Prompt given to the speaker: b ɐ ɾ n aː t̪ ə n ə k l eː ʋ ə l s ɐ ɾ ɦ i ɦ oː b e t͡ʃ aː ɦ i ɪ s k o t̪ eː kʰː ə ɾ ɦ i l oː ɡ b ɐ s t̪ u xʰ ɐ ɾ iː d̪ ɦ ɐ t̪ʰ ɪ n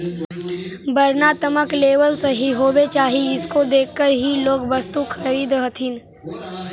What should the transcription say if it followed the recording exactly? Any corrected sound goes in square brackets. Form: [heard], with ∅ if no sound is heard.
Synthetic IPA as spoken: b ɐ ɾ n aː t̪ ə [m] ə k l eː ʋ ə l s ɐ [∅] ɦ i ɦ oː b e t͡ʃ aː ɦ i ɪ s k o [d̪] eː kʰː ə ɾ ɦ i l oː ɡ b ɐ s t̪ u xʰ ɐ ɾ iː d̪ ɦ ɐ t̪ʰ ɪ n